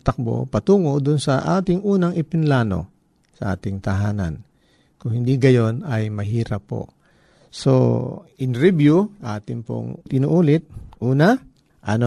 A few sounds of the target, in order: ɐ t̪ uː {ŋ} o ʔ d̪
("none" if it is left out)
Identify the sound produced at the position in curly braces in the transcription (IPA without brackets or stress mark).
ŋ